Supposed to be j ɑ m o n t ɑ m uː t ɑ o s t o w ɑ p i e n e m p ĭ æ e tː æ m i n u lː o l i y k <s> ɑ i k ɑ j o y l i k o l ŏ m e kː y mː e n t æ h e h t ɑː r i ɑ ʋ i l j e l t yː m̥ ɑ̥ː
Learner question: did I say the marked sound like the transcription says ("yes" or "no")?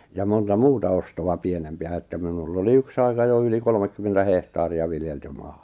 yes